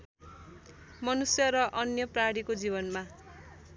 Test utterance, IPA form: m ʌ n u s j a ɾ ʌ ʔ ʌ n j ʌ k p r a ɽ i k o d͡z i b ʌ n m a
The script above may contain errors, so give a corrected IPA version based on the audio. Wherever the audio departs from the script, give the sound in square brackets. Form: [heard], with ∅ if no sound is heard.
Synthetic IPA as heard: m ʌ n u s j [ʌ] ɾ ʌ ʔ ʌ n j ʌ [∅] p r a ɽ i k o d͡z i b ʌ n m a